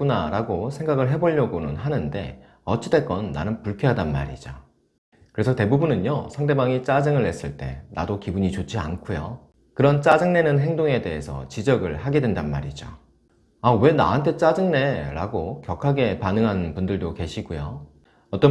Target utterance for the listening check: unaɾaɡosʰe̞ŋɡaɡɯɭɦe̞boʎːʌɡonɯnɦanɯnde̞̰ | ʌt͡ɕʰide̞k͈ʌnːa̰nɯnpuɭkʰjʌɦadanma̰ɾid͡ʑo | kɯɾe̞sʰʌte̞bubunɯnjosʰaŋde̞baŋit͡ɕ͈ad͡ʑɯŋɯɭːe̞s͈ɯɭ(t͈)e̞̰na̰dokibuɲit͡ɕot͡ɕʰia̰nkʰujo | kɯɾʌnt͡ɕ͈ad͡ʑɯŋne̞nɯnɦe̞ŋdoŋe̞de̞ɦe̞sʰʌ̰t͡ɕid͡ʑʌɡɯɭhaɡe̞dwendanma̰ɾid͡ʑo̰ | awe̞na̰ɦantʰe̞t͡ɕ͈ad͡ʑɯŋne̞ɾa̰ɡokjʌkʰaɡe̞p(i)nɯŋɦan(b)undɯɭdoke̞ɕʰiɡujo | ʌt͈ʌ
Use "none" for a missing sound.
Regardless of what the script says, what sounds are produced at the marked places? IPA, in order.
t͈, a, p

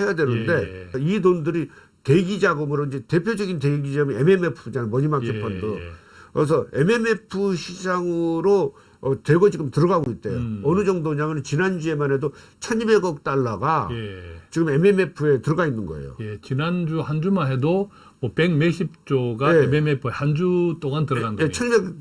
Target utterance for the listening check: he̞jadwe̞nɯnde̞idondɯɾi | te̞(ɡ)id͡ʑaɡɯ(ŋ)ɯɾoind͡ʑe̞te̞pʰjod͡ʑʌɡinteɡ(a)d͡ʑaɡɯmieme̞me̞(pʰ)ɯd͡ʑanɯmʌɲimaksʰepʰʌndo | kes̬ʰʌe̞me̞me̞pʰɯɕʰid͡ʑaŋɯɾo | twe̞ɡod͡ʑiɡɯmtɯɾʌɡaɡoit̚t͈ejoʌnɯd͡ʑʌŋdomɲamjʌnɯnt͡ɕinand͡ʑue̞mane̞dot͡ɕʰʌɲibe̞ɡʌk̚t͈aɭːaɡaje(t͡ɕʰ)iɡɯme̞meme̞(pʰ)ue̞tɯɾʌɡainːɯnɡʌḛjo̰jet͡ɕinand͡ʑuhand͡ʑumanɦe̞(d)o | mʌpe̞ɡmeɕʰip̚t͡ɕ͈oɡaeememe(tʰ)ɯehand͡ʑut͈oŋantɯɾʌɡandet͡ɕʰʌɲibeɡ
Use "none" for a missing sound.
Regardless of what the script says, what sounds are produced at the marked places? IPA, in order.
ɡ, m, i, pʰ, t͡ɕ, pʰ, d, pʰ

